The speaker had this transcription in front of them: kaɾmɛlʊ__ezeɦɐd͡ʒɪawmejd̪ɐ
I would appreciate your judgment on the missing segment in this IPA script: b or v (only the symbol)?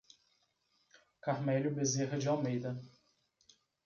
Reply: b